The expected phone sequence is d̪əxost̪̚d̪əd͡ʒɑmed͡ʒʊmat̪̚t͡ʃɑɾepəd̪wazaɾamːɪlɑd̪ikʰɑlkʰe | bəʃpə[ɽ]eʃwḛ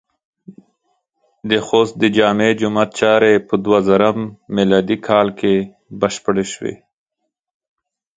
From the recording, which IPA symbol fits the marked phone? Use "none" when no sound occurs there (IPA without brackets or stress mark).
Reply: ɽ